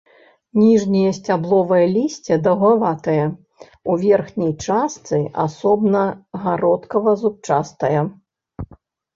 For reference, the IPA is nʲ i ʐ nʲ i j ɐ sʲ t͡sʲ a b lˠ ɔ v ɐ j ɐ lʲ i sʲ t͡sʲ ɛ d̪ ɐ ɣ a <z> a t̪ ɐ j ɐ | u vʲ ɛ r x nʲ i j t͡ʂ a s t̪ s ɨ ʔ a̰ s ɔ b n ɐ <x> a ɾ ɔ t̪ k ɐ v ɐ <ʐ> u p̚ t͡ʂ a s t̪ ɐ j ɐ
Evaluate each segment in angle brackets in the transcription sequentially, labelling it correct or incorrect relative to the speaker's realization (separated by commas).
incorrect, incorrect, incorrect